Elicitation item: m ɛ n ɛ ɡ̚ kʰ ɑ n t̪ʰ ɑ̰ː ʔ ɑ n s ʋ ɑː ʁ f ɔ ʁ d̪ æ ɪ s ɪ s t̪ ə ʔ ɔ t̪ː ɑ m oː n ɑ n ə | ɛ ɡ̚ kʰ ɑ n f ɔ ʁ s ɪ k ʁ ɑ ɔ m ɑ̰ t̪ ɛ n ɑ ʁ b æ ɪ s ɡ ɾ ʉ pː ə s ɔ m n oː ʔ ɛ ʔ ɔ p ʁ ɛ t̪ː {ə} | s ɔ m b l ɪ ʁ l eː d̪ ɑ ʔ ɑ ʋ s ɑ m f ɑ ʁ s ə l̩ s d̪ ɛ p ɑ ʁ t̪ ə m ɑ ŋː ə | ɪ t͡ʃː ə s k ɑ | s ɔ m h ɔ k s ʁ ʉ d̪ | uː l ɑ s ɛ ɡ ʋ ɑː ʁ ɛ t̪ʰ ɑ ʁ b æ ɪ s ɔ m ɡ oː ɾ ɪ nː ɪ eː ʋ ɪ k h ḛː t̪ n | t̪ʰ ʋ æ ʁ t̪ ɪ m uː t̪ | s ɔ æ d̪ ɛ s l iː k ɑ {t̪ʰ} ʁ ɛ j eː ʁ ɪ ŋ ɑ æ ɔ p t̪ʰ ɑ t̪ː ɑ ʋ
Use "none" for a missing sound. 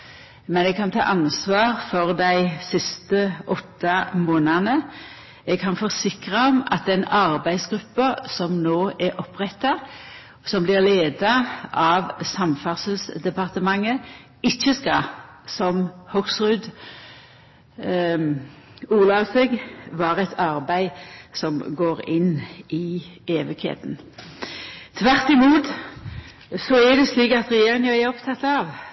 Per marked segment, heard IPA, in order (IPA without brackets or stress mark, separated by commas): ɑ, t̪